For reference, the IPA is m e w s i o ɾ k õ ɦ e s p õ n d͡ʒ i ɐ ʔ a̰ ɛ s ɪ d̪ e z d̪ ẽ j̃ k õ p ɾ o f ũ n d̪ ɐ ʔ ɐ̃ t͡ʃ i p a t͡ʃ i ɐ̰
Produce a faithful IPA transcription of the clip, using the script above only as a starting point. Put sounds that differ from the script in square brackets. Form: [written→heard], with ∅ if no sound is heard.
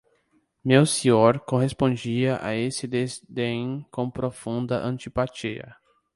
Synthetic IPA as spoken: m e w s i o ɾ k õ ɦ e s p õ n d͡ʒ i ɐ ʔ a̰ [ɛ→e] s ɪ d̪ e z d̪ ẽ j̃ k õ p ɾ o f ũ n d̪ ɐ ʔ ɐ̃ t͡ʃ i p a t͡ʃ i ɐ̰